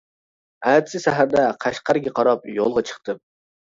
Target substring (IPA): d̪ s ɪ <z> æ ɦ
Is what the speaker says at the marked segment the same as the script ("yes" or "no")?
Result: no